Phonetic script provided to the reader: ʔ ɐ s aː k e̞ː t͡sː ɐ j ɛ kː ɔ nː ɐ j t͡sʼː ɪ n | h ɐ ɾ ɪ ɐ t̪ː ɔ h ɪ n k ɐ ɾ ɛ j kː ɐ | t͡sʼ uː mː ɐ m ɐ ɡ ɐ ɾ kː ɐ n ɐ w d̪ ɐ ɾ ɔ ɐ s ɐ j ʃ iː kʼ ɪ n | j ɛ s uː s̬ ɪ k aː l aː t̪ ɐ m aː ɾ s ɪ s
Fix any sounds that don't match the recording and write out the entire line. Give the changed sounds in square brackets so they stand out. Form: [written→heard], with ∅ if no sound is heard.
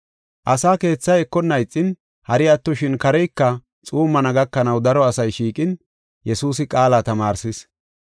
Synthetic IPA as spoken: ʔ ɐ s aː k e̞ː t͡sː ɐ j ɛ kː ɔ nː ɐ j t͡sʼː ɪ n | h ɐ ɾ ɪ ɐ t̪ː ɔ [h→ʃ] ɪ n k ɐ ɾ ɛ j kː ɐ | t͡sʼ uː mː ɐ [m→n] ɐ ɡ ɐ [ɾ→∅] kː ɐ n ɐ w d̪ ɐ ɾ ɔ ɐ s ɐ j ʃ iː kʼ ɪ n | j ɛ s uː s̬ ɪ [k→kʼ] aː l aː t̪ ɐ m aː ɾ s ɪ s